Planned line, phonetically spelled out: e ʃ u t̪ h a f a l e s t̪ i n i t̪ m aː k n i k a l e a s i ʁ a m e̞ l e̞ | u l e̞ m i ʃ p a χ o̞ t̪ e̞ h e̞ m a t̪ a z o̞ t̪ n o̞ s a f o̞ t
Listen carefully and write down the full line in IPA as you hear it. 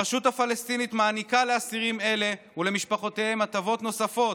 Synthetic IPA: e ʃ u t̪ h a f a l e s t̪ i n i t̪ m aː n i k a l e a s i ʁ i m e̞ l e̞ | u l e̞ m i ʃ p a χ o̞ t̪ e̞ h e̞ m a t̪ a v o̞ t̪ n o̞ s a f o̞ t